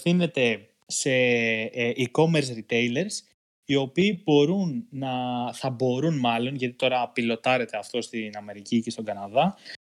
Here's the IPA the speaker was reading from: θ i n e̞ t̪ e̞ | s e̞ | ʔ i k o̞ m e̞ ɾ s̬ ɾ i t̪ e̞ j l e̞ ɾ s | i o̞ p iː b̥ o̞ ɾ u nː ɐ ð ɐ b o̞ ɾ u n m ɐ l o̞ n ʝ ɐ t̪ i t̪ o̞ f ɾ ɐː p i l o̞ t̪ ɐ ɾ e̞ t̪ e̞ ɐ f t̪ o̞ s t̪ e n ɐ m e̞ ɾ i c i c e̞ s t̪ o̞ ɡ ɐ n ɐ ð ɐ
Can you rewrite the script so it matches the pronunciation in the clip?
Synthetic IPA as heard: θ i n e̞ t̪ e̞ | s e̞ | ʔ i k o̞ m e̞ ɾ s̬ ɾ i t̪ e̞ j l e̞ ɾ s | i o̞ p iː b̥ o̞ ɾ u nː ɐ θ ɐ b o̞ ɾ u n m ɐ l o̞ n ʝ ɐ t̪ i t̪ o̞ ɾ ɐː p i l o̞ t̪ ɐ ɾ e̞ t̪ e̞ ɐ f t̪ o̞ s t̪ i n ɐ m e̞ ɾ i c i c e̞ s t̪ o̞ ɡ ɐ n ɐ ð ɐ